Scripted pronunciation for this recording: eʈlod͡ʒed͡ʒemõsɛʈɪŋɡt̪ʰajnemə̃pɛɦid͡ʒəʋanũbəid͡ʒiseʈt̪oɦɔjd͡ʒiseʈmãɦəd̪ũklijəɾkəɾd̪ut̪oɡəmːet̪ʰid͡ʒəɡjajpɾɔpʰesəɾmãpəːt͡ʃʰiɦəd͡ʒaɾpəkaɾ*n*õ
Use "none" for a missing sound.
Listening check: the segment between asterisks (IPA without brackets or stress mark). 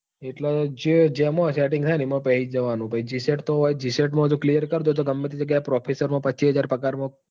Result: m